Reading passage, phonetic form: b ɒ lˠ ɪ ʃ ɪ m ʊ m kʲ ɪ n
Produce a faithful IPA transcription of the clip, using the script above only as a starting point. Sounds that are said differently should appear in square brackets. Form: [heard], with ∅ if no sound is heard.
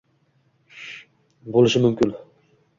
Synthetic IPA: b [o] lˠ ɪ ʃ ɪ m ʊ m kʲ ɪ n